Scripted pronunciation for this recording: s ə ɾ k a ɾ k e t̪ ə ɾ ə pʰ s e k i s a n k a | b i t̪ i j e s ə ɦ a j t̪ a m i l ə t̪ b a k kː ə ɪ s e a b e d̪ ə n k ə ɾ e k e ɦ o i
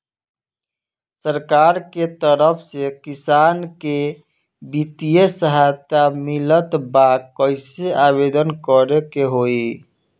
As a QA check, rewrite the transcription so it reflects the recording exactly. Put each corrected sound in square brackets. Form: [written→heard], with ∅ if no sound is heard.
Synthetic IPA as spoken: s ə ɾ k a ɾ k e t̪ ə ɾ ə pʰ s e k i s a n k [a→e] | b i t̪ i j e s ə ɦ a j t̪ a m i l ə t̪ b a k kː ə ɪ s e a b e d̪ ə n k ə ɾ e k e ɦ o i